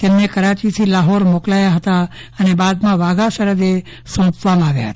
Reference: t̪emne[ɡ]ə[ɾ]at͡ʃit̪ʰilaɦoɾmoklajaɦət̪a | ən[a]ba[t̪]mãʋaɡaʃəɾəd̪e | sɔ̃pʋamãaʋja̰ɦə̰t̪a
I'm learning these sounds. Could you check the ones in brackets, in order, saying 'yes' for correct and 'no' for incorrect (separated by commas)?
no, yes, no, no